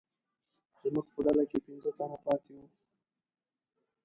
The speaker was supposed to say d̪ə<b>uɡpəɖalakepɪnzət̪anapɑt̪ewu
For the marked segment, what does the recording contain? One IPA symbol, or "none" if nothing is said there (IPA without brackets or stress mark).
m